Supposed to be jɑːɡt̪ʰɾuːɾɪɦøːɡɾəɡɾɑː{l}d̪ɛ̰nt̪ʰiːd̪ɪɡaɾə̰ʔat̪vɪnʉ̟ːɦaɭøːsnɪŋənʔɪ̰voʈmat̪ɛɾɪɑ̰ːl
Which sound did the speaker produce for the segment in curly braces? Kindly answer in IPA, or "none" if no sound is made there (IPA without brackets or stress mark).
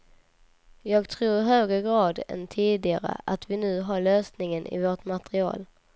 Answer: none